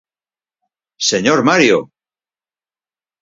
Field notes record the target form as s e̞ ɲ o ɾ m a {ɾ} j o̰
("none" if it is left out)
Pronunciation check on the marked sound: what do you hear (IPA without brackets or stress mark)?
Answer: ɾ